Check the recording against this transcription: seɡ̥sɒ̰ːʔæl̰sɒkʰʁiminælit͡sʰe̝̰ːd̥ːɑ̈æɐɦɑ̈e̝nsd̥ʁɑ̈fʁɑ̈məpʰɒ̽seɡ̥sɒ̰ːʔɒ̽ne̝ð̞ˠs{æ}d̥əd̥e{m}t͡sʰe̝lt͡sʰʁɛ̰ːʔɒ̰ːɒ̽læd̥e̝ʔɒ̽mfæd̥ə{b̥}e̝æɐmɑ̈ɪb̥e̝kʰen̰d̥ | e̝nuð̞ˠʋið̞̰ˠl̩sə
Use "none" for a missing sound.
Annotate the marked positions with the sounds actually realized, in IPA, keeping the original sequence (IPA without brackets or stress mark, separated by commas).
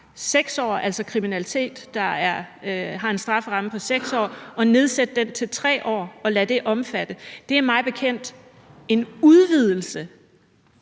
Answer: e, n, d̥